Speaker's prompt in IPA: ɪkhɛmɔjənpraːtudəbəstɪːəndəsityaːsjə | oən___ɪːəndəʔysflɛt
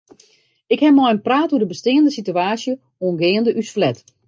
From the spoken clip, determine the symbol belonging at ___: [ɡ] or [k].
ɡ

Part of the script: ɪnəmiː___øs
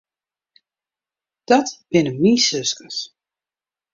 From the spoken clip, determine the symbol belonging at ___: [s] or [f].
s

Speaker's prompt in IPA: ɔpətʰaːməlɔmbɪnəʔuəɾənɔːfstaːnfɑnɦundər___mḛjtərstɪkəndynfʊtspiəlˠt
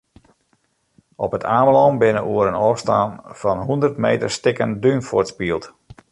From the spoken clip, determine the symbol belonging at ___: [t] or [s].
t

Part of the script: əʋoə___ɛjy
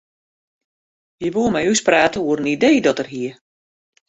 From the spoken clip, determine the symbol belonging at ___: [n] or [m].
m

